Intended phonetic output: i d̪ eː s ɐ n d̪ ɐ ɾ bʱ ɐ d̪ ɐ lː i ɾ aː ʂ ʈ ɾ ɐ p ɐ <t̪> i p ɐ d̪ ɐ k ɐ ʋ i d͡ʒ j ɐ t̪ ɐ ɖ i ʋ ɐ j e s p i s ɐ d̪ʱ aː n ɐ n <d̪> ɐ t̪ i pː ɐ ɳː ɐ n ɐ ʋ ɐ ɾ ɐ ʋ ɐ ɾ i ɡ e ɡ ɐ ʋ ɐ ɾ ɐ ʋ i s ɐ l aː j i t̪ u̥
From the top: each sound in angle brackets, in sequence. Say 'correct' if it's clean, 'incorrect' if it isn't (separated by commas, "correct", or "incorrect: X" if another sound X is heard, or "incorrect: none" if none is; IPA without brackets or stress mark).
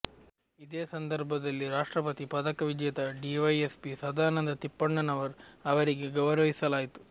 correct, correct